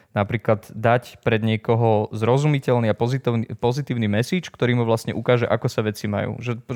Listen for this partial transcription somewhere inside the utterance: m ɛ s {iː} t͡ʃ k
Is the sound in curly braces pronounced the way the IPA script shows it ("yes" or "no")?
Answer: yes